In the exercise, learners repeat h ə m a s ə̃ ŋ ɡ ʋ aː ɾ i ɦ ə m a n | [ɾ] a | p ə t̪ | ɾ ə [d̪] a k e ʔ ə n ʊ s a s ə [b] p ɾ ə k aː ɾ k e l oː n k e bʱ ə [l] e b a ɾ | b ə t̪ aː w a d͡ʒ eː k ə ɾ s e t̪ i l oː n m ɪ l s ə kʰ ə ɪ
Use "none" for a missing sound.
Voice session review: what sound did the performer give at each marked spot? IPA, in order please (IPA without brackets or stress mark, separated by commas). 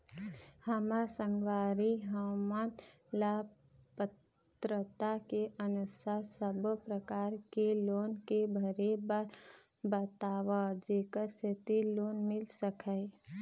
l, t̪, b, ɾ